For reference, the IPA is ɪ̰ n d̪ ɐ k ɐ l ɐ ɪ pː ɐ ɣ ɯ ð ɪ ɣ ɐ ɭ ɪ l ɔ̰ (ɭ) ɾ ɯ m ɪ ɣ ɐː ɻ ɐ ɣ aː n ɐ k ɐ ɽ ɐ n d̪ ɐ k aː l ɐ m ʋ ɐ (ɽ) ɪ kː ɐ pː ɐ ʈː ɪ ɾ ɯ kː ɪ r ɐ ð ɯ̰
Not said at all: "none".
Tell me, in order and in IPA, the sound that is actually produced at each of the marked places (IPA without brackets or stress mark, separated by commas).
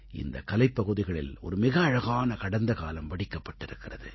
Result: none, ɽ